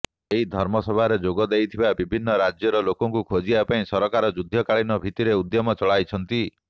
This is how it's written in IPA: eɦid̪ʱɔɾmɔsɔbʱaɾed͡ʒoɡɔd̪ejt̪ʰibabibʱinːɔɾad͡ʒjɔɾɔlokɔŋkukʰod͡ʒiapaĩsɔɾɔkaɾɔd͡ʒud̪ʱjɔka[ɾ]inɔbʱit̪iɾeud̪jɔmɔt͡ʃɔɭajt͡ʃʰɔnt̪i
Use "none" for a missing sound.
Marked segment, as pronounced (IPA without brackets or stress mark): ɭ